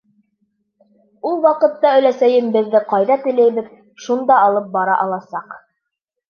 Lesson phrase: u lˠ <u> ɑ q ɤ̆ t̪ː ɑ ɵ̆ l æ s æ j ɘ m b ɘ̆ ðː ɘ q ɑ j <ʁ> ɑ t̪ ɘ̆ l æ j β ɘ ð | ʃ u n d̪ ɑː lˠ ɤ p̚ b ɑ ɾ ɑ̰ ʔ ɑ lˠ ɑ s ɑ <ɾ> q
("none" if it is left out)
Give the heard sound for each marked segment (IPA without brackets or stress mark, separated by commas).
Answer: w, ð, none